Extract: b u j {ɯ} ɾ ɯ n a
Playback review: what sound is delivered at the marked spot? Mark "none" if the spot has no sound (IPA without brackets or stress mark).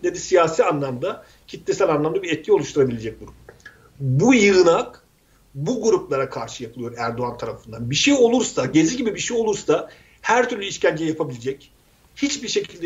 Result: ɯ